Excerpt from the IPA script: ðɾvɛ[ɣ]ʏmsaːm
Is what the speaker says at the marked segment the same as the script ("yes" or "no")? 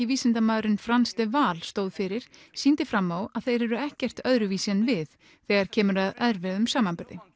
no